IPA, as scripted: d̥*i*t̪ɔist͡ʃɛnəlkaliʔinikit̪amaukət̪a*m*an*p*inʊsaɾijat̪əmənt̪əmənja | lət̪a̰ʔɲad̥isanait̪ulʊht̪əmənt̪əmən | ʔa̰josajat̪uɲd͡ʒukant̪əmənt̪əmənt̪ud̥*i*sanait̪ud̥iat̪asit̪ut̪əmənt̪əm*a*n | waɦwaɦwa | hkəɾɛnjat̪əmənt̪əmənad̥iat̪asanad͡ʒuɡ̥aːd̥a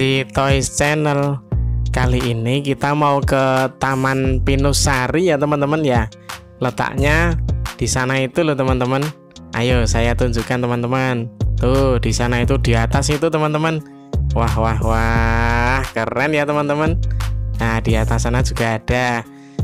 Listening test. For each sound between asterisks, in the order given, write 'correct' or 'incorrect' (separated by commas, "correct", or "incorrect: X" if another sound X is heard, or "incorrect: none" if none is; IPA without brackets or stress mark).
correct, correct, correct, correct, incorrect: ə